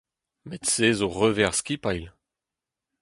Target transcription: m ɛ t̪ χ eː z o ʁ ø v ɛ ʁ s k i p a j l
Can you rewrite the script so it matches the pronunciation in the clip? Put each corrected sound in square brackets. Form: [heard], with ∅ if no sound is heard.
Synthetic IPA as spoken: m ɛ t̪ [s] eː z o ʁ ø v ɛ ʁ s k i p a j l